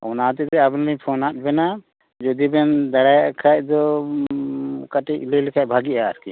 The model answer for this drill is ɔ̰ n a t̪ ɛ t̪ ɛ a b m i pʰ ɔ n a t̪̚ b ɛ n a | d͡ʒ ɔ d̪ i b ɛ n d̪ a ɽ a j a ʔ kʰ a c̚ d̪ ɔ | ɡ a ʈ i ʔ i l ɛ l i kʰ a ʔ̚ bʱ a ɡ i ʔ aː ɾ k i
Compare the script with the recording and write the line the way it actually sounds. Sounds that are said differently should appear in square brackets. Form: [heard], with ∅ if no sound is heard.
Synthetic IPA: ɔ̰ n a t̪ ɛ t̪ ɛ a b [n] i pʰ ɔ n a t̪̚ b ɛ n a | d͡ʒ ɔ d̪ i b ɛ n d̪ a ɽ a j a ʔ kʰ a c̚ d̪ ɔ | [k] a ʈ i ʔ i l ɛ l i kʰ a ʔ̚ bʱ a ɡ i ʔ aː ɾ k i